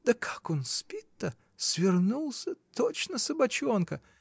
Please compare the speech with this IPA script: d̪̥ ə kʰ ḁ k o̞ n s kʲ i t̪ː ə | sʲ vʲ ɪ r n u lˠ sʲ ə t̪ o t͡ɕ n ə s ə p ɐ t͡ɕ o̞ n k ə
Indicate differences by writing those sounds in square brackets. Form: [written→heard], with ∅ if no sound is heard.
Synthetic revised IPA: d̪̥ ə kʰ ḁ k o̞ n s [kʲ→pʲ] i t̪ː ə | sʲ vʲ ɪ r n u lˠ sʲ ə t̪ o t͡ɕ n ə s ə [p→b] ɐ t͡ɕ o̞ n k ə